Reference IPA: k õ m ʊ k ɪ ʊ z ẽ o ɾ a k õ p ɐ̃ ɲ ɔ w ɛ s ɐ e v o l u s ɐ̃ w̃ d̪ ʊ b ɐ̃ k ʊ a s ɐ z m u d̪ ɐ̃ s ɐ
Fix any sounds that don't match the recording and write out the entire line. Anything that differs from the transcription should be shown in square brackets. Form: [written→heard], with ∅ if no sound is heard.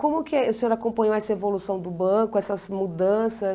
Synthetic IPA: k õ m ʊ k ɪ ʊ [z→s] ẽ o ɾ a k õ p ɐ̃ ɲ [ɔ→o] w ɛ s ɐ e v o l u s ɐ̃ w̃ d̪ ʊ b ɐ̃ k ʊ [a→ɛ] s ɐ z m u d̪ ɐ̃ s ɐ